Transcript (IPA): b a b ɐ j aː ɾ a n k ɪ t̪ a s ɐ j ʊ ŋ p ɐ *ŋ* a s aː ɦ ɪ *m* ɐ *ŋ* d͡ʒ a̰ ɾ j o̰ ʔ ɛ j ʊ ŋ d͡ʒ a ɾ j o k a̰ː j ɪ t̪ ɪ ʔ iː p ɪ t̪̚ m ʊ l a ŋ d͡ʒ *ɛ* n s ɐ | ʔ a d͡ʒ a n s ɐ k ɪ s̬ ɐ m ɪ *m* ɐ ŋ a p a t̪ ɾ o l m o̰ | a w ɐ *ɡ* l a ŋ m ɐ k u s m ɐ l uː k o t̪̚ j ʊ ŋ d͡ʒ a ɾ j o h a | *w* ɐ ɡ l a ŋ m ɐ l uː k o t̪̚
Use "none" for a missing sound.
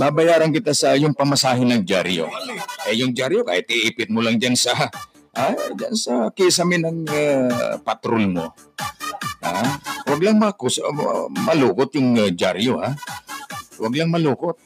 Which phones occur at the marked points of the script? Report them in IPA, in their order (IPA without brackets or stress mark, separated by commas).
m, n, ŋ, a, n, ɡ, w